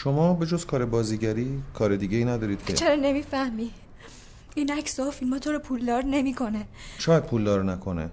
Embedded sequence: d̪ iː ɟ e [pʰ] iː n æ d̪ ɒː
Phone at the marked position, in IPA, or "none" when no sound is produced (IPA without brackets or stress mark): none